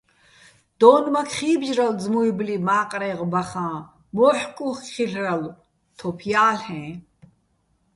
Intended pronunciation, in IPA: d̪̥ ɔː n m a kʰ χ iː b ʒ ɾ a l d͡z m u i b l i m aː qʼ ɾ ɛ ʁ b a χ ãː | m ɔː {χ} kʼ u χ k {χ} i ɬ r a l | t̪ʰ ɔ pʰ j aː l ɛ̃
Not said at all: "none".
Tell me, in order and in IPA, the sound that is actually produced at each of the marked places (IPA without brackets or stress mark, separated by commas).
ħ, χ